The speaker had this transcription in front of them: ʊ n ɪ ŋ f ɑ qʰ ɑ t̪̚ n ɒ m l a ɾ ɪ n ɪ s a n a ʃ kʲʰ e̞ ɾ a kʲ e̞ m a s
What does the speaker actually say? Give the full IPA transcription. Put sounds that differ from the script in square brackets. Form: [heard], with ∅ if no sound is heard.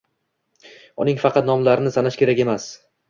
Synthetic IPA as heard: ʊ n ɪ ŋ f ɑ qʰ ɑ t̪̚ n ɒ m l a ɾ ɪ n ɪ s a n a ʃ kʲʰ e̞ ɾ a kʲ e̞ m a s